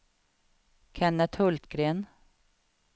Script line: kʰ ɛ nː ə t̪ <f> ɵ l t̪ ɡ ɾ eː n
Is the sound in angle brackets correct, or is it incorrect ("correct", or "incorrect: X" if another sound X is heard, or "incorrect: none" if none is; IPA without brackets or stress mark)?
incorrect: h